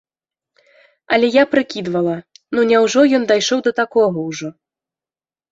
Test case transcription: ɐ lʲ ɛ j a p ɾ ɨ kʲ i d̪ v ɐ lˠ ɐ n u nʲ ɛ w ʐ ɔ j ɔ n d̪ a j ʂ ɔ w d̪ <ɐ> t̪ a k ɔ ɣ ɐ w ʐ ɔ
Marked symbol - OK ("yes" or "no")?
yes